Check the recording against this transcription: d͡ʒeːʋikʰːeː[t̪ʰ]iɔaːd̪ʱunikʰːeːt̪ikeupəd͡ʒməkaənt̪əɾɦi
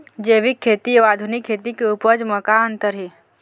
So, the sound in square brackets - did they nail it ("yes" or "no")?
no